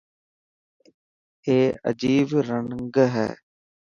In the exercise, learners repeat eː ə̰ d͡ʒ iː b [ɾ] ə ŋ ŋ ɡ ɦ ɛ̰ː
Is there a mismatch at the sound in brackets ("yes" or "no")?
no